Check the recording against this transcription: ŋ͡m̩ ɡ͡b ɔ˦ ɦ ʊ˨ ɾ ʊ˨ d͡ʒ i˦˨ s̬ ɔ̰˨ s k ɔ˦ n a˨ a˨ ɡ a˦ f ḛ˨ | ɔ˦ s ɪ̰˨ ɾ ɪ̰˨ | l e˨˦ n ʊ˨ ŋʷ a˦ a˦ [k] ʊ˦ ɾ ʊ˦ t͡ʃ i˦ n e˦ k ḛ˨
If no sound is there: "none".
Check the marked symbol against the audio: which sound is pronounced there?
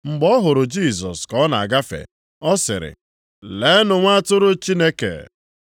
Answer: t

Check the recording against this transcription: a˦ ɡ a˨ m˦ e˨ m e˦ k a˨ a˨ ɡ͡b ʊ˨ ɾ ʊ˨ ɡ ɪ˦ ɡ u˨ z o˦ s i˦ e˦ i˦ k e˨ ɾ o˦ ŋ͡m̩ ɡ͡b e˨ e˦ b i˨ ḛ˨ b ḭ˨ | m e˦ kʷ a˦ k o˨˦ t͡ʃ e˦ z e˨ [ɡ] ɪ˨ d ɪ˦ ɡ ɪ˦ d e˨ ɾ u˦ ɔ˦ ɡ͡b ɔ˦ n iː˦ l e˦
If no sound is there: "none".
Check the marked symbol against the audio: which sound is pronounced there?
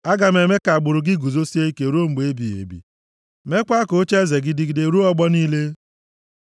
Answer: ɡ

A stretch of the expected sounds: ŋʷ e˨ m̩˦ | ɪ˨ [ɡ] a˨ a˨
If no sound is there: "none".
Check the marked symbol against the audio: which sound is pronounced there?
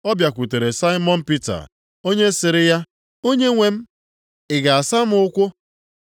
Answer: ɡ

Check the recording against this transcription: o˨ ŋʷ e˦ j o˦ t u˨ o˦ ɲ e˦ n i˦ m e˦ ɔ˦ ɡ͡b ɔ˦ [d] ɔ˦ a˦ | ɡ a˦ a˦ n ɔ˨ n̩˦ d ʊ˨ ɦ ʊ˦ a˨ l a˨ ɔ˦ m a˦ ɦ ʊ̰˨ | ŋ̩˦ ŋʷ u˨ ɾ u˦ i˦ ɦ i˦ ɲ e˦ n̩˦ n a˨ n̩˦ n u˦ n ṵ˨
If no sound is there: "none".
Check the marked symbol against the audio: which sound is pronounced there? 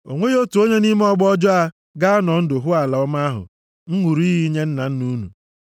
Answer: d͡ʒ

